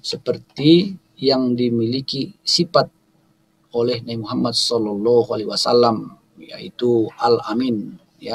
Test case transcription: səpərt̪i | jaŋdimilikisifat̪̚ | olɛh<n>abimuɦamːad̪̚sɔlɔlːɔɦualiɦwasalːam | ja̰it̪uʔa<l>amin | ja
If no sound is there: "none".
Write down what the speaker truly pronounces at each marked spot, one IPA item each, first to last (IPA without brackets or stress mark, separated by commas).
n, l